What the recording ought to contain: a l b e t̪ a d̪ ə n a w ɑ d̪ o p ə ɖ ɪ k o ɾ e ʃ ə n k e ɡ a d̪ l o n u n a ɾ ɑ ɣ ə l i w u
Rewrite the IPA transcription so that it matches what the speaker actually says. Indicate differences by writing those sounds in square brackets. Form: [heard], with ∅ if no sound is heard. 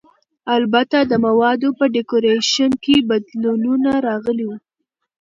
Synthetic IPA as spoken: a l b [a] t̪ a d̪ ə [m] a w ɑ d̪ o p ə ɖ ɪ k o ɾ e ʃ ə n k e [b] a d̪ l [u] n u n a ɾ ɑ ɣ ə l i w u